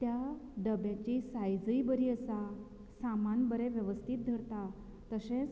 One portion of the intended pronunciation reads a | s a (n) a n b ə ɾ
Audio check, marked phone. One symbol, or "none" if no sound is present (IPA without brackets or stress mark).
m